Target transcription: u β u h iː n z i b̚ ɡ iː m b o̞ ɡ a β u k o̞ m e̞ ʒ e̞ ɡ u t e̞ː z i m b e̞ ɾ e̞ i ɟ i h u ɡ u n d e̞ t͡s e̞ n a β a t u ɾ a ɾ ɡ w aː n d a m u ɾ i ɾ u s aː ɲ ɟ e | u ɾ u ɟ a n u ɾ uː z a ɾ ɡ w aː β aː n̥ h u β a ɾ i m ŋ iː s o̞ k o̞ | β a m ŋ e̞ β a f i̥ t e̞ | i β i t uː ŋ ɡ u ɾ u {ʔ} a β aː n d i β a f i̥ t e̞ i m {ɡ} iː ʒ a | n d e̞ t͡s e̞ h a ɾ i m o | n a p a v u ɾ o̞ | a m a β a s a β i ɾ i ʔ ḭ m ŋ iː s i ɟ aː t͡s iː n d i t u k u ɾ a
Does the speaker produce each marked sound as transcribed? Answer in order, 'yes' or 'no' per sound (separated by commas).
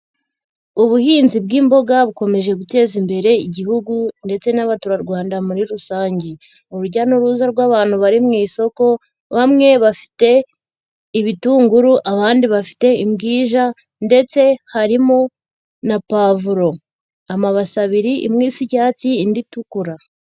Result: yes, yes